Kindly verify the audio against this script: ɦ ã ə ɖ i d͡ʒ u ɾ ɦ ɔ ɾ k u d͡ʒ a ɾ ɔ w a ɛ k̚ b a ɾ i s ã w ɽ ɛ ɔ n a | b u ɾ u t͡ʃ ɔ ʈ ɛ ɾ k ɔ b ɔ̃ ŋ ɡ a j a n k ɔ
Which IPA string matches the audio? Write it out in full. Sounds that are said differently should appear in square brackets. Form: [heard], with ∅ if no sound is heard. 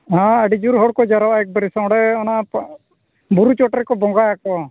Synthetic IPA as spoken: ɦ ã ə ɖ i d͡ʒ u ɾ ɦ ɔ [ɽ] k [ɔ] d͡ʒ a ɾ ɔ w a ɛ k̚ b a ɾ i s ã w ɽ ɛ ɔ n a | b u ɾ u t͡ʃ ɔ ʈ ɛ ɾ k ɔ b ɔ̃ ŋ ɡ a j a [∅] k ɔ